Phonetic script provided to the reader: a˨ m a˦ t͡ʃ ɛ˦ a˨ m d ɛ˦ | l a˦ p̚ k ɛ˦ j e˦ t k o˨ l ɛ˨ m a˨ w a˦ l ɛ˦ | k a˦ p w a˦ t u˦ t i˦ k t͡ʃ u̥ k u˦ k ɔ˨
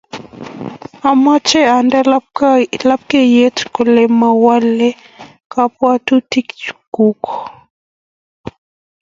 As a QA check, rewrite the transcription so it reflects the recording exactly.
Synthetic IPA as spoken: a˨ m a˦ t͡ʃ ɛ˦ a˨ n d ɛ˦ | l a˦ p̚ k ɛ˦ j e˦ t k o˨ l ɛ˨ m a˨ w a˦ l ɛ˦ | k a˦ p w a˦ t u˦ t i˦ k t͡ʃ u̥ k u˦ k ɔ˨